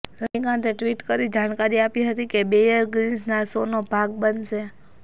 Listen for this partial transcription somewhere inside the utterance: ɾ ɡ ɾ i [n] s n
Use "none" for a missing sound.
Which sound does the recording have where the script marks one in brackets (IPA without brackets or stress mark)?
n